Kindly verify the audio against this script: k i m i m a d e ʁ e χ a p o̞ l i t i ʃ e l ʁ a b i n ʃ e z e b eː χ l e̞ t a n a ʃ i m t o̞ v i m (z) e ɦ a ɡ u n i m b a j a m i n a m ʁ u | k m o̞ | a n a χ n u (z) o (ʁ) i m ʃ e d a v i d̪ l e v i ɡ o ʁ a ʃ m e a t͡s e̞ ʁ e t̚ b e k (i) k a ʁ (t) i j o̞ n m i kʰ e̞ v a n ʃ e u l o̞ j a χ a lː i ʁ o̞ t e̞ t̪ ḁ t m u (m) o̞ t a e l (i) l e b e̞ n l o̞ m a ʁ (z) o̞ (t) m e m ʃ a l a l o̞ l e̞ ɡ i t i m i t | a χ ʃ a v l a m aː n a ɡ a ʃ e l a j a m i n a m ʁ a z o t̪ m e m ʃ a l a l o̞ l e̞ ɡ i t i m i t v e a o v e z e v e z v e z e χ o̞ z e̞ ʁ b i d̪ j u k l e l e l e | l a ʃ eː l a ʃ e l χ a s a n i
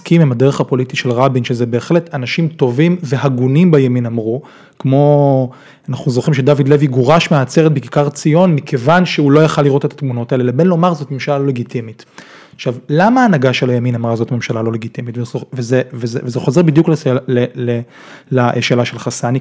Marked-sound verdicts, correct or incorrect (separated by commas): incorrect, correct, incorrect, correct, incorrect, incorrect, incorrect, correct, correct